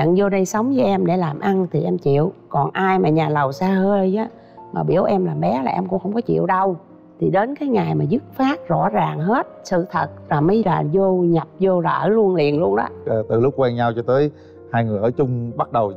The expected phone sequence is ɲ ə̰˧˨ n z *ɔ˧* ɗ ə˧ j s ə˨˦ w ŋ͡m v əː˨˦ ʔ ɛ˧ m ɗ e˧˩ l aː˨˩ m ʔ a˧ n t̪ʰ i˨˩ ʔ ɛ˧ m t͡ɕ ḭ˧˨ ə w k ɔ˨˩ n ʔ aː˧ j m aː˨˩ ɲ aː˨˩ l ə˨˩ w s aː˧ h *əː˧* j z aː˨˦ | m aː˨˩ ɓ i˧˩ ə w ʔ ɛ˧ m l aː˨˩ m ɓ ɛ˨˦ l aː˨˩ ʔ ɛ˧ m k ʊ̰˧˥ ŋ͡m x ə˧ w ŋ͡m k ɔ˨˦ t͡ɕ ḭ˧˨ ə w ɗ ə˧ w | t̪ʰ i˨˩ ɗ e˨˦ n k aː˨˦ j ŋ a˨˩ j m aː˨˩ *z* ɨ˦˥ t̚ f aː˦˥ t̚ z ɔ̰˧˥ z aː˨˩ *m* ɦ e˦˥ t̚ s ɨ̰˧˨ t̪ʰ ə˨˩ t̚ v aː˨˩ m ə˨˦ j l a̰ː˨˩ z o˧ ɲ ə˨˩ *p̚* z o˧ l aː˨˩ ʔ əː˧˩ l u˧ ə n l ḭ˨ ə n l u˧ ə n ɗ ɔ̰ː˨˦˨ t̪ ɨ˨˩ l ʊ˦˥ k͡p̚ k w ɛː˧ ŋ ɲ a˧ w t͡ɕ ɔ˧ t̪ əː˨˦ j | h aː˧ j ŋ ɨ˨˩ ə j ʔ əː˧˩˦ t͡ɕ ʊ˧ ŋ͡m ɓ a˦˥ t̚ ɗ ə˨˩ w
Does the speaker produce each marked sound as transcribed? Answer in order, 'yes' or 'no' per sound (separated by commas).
no, yes, yes, no, yes